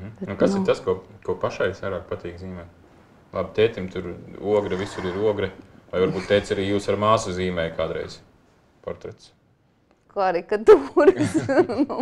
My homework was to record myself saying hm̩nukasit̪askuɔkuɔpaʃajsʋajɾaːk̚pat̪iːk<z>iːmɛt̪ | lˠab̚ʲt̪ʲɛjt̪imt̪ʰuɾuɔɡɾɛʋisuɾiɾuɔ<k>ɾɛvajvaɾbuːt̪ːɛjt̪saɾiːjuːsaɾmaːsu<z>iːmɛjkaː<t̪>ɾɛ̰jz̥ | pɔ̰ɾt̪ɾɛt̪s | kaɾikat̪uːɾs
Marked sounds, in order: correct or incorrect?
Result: correct, incorrect: ɡ, correct, incorrect: d̪

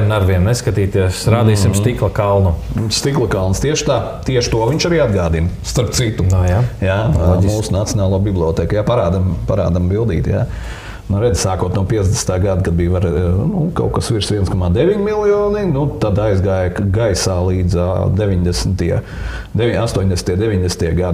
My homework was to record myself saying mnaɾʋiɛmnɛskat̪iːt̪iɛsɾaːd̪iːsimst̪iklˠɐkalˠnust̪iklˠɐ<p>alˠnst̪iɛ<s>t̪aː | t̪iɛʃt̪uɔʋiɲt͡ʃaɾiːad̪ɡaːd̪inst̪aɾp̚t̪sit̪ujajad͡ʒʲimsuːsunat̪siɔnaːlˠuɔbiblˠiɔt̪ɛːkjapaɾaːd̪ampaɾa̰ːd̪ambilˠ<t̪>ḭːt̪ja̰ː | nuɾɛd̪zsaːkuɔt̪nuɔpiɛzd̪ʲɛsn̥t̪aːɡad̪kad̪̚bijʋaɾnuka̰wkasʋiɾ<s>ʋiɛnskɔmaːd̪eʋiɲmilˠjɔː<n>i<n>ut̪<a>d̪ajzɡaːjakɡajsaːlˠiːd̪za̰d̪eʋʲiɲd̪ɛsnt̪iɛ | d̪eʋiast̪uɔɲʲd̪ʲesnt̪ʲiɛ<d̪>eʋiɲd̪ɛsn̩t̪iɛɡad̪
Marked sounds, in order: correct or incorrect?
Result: incorrect: k, incorrect: ʃ, incorrect: d̪, correct, correct, correct, correct, correct

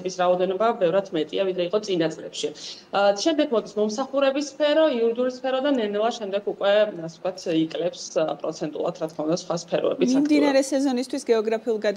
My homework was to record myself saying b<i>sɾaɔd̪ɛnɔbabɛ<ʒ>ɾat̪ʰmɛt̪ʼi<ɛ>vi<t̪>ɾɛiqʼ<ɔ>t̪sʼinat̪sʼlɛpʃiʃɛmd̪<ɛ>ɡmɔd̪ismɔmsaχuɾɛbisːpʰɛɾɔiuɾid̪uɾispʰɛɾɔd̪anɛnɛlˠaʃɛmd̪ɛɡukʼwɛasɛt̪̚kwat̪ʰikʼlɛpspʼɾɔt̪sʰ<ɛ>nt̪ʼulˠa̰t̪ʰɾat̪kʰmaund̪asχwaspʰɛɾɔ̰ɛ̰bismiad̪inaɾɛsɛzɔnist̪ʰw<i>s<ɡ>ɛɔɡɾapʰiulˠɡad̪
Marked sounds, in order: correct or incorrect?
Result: correct, incorrect: v, incorrect: a, incorrect: d̪, correct, correct, correct, correct, correct

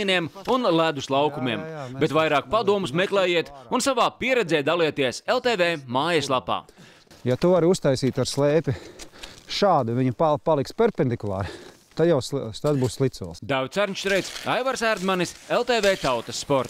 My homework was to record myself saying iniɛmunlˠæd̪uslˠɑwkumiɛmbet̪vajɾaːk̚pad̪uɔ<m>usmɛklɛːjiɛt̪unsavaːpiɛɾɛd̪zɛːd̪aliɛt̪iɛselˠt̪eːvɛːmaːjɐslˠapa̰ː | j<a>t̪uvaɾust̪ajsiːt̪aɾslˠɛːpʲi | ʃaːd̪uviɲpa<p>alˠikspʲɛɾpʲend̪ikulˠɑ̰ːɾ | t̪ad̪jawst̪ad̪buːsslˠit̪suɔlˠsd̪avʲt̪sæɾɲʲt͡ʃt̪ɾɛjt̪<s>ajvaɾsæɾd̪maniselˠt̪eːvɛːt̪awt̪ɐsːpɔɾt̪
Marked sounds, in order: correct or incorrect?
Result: correct, correct, correct, correct

